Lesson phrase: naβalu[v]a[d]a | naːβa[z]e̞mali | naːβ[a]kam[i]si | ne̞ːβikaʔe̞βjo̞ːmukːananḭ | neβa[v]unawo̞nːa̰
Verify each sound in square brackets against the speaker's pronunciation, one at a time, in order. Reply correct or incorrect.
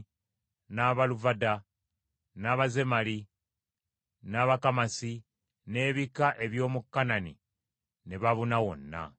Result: correct, correct, correct, correct, incorrect, incorrect

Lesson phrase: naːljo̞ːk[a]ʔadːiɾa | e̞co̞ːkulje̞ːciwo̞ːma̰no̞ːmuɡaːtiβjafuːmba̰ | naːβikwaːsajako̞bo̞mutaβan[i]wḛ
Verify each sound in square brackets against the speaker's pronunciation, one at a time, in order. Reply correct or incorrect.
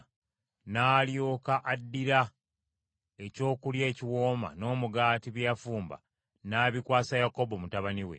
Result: correct, correct

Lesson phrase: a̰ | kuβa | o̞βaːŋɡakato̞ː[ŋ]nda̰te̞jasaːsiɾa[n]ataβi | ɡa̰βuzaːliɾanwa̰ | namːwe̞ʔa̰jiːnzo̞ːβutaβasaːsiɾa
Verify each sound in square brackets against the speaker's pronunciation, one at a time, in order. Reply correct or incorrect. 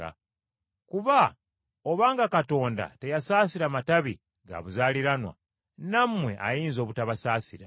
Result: incorrect, incorrect

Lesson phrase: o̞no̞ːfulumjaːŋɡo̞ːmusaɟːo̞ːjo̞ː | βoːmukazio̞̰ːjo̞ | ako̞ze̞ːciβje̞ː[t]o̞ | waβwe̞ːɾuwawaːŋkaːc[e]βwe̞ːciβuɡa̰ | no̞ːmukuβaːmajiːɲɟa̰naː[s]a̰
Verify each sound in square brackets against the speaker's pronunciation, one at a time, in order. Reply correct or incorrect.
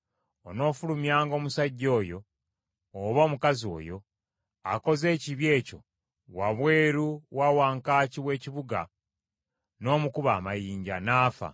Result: incorrect, incorrect, incorrect

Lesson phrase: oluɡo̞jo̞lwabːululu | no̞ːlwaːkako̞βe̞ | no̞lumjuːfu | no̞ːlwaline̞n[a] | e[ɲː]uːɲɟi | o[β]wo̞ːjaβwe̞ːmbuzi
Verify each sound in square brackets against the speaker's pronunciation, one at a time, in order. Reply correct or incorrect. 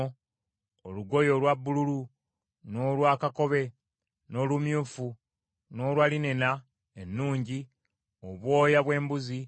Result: correct, incorrect, correct

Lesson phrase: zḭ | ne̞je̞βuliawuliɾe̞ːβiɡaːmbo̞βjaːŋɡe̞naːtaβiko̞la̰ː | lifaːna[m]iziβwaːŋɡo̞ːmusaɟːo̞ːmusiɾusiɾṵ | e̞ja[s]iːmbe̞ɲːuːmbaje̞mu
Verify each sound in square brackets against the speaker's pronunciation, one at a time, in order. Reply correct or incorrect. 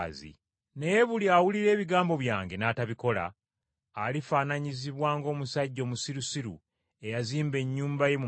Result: incorrect, incorrect

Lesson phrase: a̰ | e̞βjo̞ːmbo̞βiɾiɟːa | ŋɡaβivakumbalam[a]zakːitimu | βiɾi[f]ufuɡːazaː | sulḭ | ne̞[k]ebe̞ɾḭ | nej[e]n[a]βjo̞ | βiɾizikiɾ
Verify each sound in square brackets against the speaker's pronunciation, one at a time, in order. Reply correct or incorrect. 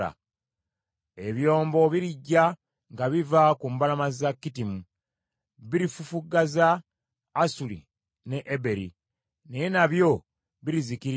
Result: correct, correct, incorrect, correct, correct

